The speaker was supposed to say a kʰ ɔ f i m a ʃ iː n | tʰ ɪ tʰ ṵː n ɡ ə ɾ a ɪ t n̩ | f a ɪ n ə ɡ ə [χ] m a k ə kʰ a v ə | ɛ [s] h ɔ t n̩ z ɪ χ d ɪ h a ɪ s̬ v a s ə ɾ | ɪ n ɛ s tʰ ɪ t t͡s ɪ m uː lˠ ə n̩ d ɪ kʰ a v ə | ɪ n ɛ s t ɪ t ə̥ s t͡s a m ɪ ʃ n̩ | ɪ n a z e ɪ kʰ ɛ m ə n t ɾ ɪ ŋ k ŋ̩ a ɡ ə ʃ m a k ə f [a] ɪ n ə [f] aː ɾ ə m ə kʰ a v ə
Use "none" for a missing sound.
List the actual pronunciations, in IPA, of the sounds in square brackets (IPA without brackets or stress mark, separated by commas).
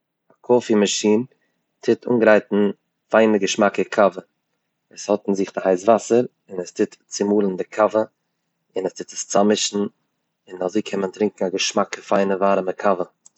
ʃ, s, a, v